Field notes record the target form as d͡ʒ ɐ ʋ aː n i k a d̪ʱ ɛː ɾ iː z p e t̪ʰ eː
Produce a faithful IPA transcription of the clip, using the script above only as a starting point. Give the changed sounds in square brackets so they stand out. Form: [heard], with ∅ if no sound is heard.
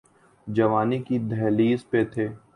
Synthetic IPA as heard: d͡ʒ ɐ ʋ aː n i k [i] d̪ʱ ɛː [l] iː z p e t̪ʰ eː